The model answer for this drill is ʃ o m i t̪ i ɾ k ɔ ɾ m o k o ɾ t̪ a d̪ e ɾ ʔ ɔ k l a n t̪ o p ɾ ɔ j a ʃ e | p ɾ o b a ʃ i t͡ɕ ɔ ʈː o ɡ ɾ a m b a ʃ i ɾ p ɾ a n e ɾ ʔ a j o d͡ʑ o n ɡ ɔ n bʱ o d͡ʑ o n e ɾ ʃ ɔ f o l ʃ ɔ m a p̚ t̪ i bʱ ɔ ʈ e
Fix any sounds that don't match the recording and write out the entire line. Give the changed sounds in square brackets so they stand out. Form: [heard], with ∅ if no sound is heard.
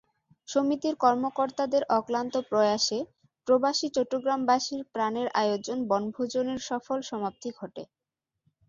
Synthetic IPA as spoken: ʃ o m i t̪ i ɾ k ɔ ɾ m o k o ɾ t̪ a d̪ e ɾ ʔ ɔ k l a n t̪ o p ɾ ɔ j a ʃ e | p ɾ o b a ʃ i t͡ɕ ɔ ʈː o ɡ ɾ a m b a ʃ i ɾ p ɾ a n e ɾ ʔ a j o d͡ʑ o n [b] ɔ n bʱ o d͡ʑ o n e ɾ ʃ ɔ f o l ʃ ɔ m a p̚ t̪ i [ɡʱ] ɔ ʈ e

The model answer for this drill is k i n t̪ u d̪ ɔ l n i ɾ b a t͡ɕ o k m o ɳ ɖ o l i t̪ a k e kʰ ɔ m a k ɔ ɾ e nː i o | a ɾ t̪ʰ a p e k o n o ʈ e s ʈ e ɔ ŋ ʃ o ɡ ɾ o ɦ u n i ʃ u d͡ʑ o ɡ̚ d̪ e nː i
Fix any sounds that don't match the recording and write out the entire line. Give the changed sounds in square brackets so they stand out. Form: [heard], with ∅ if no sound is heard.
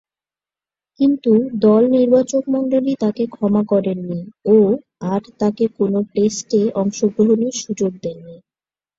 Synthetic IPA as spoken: k i n t̪ u d̪ ɔ l n i ɾ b a t͡ɕ o k m [ɔ] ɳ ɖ o l i t̪ a k e kʰ ɔ m a k ɔ ɾ e nː i o | a ɾ [t̪] a [k] e k o n o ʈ e s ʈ e ɔ ŋ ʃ o ɡ ɾ o ɦ [o] n i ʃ u d͡ʑ o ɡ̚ d̪ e nː i

